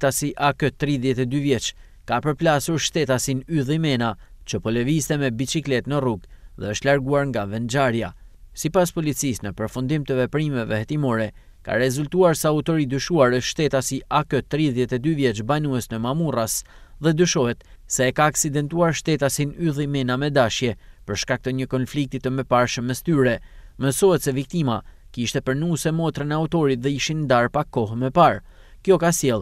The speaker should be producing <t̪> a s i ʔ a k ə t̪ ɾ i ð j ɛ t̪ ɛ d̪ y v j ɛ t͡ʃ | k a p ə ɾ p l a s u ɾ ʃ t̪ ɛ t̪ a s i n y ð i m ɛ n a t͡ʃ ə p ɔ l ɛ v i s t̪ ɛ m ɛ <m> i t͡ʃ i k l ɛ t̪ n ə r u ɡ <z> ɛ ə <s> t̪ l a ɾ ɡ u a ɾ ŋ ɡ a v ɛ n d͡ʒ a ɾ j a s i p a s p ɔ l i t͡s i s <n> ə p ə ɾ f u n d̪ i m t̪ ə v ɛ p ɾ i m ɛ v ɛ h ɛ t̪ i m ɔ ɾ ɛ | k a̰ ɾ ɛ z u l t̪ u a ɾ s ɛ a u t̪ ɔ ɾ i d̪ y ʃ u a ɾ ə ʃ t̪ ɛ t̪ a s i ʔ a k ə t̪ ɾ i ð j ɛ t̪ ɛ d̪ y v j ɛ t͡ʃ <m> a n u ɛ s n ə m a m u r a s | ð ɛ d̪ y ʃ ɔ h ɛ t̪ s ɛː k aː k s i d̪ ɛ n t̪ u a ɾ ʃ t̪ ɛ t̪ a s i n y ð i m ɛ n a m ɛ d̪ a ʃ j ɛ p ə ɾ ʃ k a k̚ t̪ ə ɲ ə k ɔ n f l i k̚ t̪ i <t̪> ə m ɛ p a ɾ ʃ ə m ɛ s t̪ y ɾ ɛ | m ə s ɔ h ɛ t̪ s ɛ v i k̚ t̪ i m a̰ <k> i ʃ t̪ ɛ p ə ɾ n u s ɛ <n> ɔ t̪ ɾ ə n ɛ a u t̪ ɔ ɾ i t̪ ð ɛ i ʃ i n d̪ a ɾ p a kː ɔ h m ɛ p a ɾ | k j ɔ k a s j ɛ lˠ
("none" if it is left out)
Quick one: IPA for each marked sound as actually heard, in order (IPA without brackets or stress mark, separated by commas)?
t̪, b, ð, ʃ, n, b, t̪, k, m